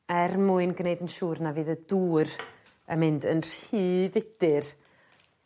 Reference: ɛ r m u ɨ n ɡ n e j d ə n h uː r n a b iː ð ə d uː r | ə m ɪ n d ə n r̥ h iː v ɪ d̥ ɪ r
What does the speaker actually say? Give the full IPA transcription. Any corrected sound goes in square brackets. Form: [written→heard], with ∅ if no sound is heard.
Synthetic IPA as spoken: ɛ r m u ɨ n ɡ n e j d ə n [h→ʃ] uː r n a [b→v] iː ð ə d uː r | ə m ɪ n d ə n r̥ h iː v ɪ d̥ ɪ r